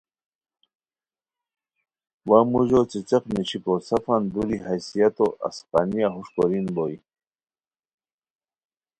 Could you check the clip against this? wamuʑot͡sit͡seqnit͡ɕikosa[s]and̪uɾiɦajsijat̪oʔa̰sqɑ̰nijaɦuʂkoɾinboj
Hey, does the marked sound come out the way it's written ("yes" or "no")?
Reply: no